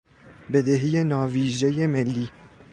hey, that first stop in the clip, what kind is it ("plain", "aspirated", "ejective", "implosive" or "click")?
plain